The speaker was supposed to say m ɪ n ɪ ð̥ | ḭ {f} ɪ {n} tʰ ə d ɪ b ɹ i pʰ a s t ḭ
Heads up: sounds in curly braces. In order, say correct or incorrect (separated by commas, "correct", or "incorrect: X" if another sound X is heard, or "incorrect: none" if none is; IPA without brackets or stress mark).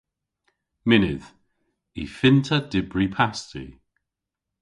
correct, correct